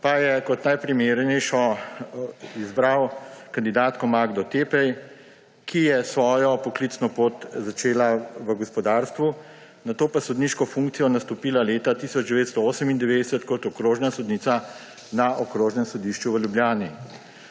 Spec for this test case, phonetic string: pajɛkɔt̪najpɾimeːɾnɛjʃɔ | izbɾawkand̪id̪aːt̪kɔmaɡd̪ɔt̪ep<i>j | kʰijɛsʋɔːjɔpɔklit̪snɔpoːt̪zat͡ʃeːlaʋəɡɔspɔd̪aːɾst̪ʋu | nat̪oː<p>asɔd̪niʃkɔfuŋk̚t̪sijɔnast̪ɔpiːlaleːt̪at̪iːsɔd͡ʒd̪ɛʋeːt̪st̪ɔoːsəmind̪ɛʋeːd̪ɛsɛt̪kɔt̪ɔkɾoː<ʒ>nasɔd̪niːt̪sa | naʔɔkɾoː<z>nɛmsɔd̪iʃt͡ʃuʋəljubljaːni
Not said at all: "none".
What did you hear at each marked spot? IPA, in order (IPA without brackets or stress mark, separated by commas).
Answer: ɛ, p, ʒ, ʒ